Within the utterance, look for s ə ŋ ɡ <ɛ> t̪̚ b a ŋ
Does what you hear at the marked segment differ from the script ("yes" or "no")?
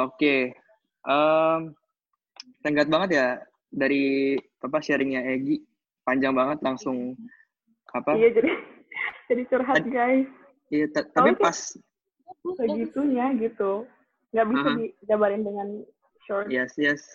yes